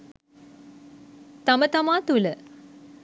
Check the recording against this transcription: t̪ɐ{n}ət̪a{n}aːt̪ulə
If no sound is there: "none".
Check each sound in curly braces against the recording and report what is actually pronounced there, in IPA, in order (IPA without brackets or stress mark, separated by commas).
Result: m, m